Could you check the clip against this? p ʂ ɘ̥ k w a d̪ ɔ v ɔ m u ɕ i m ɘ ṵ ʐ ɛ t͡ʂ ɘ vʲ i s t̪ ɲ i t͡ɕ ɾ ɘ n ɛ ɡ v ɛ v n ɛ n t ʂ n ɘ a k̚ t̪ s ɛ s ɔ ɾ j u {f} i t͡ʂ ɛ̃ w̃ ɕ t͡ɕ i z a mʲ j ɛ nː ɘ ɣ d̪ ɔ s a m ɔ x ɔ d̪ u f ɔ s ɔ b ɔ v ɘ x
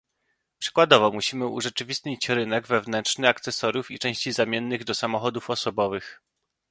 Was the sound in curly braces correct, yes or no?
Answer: yes